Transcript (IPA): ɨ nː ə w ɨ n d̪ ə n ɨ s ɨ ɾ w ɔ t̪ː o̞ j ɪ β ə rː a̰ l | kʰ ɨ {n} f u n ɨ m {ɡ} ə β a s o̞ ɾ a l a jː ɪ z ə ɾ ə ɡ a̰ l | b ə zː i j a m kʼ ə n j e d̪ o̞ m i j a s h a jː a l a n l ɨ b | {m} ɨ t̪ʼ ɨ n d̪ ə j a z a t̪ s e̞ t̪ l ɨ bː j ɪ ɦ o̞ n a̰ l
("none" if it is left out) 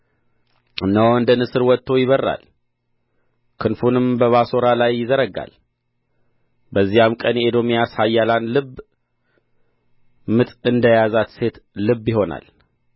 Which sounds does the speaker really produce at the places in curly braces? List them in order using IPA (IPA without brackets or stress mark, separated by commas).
n, b, m